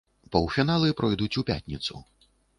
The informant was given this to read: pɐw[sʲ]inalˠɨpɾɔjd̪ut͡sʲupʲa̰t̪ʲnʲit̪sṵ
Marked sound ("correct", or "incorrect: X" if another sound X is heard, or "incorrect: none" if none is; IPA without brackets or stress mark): incorrect: fʲ